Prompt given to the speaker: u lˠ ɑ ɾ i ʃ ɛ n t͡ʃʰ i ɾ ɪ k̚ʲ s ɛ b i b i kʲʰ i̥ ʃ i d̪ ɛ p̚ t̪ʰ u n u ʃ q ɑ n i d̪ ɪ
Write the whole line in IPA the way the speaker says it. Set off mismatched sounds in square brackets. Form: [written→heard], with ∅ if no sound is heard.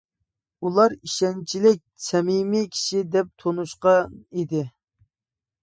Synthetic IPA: u lˠ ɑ ɾ i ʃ ɛ n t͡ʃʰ i [ɾ→l] ɪ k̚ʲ s ɛ [b→m] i [b→m] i kʲʰ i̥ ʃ i d̪ ɛ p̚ t̪ʰ [u→o] n u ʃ q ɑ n i d̪ ɪ